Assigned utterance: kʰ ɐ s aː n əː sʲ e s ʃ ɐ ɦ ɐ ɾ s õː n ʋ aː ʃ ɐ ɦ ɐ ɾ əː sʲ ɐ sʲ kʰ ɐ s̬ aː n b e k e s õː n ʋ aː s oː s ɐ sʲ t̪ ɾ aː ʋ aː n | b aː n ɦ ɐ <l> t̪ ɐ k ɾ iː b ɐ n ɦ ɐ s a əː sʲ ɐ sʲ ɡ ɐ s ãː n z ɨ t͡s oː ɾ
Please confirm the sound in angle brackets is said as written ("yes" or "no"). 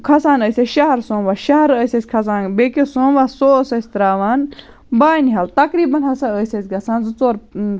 yes